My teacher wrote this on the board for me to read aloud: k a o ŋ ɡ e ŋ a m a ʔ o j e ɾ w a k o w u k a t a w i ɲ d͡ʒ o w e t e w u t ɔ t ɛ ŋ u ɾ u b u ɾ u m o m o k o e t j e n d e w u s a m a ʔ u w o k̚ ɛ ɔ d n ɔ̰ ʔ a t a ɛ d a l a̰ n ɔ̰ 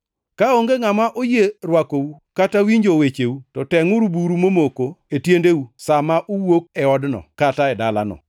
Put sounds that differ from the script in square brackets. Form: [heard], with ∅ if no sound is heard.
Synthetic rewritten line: k a o ŋ ɡ e ŋ a m a ʔ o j e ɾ w a k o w u k a t a w i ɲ d͡ʒ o w e [t͡ʃ] e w u t ɔ t ɛ ŋ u ɾ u b u ɾ u m o m o k o e t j e n d e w u s a m a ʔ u w o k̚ ɛ ɔ d n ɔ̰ [k] a t a ɛ d a l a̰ n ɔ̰